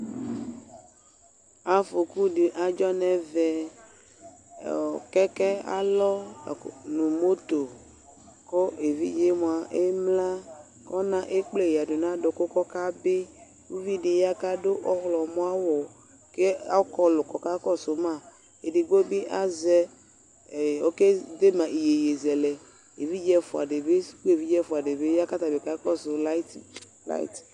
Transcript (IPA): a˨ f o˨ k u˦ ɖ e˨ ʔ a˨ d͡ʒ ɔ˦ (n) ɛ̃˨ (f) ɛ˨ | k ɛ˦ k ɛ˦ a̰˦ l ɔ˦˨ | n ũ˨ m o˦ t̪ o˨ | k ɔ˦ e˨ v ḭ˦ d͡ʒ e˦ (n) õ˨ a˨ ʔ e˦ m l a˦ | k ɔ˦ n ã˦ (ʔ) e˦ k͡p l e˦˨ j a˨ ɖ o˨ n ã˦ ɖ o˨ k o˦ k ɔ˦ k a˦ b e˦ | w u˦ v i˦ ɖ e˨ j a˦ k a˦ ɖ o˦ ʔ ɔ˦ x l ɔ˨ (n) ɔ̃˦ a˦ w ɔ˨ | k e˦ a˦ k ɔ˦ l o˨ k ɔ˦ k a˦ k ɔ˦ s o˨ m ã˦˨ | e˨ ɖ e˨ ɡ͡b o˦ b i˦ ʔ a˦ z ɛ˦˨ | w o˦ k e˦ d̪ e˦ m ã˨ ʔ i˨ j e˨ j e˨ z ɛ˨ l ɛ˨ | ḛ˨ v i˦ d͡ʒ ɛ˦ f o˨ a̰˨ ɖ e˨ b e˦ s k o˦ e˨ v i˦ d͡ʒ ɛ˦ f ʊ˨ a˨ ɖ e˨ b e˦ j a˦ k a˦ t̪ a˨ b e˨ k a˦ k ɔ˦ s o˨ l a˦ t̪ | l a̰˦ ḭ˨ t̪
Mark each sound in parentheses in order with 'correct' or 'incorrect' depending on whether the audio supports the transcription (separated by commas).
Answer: correct, incorrect, incorrect, correct, incorrect